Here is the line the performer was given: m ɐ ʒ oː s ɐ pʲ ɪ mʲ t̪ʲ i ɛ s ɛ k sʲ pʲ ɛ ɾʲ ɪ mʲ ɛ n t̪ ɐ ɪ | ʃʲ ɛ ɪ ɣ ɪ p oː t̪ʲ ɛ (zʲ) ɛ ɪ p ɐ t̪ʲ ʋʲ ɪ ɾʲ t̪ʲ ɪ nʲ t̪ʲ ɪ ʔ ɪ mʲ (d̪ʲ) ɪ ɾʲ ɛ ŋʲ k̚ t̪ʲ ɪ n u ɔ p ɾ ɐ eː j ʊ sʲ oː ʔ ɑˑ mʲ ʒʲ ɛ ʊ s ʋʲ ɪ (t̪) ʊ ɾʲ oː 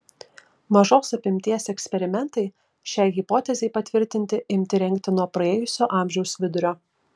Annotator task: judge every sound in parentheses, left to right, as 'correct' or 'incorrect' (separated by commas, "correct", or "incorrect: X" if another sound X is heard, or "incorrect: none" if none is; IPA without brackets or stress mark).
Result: correct, incorrect: t̪ʲ, incorrect: d̪